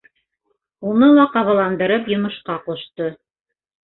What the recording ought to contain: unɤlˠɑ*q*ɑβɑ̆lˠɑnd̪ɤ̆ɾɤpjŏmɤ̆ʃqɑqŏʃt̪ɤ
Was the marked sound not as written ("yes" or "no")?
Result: no